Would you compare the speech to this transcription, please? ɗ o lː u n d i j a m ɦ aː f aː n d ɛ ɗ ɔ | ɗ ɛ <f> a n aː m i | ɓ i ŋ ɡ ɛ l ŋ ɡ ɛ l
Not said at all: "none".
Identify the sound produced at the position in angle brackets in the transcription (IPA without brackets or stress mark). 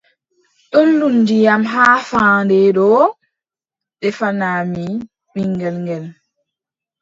f